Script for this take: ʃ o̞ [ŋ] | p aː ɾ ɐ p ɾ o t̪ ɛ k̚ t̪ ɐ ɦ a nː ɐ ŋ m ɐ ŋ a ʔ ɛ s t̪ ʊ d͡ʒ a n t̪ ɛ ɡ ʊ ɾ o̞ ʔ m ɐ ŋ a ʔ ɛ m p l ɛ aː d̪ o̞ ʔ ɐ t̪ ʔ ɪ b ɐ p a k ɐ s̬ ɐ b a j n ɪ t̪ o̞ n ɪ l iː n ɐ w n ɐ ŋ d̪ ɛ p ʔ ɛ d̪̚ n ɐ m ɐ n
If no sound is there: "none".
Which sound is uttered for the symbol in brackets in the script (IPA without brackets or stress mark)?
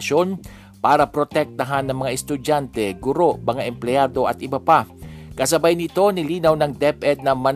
n